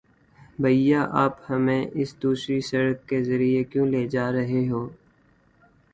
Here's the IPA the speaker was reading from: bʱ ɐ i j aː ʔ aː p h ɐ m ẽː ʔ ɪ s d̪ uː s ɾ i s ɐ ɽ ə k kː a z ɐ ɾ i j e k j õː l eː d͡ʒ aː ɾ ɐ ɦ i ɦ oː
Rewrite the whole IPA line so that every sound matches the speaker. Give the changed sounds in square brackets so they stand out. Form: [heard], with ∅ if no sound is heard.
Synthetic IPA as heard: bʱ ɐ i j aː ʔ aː p h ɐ m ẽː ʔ ɪ s d̪ uː s ɾ i s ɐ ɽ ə k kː [e] z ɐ ɾ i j e k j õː l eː d͡ʒ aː ɾ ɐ ɦ [e] ɦ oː

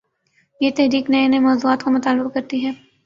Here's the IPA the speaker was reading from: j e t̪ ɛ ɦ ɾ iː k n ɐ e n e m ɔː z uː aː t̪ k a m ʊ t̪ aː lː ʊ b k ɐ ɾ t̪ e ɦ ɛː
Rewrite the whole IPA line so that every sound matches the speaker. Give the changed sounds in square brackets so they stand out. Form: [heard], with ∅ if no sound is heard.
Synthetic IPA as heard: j e t̪ ɛ ɦ ɾ iː k n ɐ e n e m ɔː z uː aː t̪ k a m ʊ t̪ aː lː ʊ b k ɐ ɾ t̪ [i] ɦ ɛː

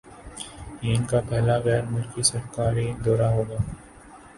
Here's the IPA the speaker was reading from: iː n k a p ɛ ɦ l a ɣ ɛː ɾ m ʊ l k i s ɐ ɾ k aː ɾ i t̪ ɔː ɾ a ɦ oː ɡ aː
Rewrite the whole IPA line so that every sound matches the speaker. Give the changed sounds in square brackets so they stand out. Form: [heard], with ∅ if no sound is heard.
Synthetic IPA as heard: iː n k a p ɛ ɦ l a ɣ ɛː ɾ m ʊ l k i s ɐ ɾ k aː ɾ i [d̪] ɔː ɾ a ɦ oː ɡ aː

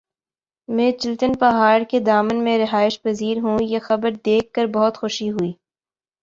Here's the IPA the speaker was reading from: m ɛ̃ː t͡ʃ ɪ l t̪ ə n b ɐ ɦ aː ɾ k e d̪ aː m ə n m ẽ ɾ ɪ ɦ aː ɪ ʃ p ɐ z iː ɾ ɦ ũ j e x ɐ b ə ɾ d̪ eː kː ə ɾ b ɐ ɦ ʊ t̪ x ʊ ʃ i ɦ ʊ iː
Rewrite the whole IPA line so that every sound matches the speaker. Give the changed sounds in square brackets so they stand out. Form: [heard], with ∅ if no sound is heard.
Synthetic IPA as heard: m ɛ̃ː t͡ʃ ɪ l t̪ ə n [p] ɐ ɦ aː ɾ k e d̪ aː m ə n m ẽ ɾ ɪ ɦ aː ɪ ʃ p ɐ z iː ɾ ɦ ũ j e x ɐ b ə ɾ d̪ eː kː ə ɾ b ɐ ɦ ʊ t̪ x ʊ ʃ i ɦ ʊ iː

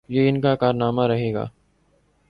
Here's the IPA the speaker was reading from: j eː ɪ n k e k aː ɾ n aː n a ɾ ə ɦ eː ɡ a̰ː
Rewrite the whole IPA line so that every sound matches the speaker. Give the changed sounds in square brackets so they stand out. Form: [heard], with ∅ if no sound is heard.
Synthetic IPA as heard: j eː ɪ n k [a] k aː ɾ n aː [m] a ɾ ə ɦ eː ɡ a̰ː

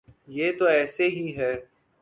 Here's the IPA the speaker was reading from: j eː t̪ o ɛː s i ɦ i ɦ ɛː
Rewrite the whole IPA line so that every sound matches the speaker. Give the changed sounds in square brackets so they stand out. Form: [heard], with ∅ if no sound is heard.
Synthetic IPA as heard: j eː t̪ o ɛː s [e] ɦ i ɦ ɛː

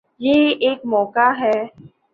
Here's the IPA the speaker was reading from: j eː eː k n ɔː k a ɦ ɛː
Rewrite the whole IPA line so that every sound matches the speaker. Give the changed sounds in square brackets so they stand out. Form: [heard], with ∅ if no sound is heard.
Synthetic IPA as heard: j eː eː k [m] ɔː k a ɦ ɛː

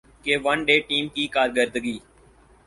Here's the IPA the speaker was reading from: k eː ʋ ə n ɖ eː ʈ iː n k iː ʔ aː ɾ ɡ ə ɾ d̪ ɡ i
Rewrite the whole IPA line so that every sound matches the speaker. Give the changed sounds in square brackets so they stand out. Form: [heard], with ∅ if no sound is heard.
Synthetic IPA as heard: k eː ʋ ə n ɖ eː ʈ iː [m] k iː [k] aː ɾ ɡ ə ɾ d̪ ɡ [iː]

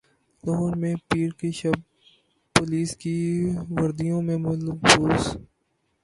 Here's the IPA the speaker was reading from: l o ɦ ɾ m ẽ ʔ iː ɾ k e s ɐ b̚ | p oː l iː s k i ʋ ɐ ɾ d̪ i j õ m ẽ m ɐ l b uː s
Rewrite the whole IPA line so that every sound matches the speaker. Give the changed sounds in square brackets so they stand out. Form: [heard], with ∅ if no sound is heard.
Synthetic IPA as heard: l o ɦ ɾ m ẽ [p] iː ɾ k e [ʃ] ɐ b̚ | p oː l iː s k i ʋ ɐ ɾ d̪ i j õ m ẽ m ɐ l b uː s

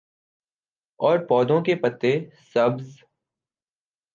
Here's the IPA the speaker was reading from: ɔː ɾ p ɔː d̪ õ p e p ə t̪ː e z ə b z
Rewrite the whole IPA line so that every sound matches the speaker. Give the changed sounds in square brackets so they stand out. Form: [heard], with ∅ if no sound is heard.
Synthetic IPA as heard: ɔː ɾ p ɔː d̪ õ [k] e p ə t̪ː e [s] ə b z

